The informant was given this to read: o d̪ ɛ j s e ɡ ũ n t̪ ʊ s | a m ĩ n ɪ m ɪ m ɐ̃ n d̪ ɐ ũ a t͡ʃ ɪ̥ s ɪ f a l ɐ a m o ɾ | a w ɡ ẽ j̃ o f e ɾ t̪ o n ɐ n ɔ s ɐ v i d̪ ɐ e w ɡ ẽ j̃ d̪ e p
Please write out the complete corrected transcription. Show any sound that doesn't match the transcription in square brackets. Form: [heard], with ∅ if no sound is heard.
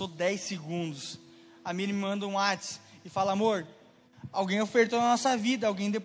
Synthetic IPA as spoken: o d̪ ɛ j s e ɡ ũ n [d̪] ʊ s | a m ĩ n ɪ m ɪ m ɐ̃ n d̪ ɐ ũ a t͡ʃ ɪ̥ s ɪ f a l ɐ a m o ɾ | a w ɡ ẽ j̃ o f e ɾ t̪ o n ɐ n ɔ s ɐ v i d̪ ɐ [a] w ɡ ẽ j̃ d̪ e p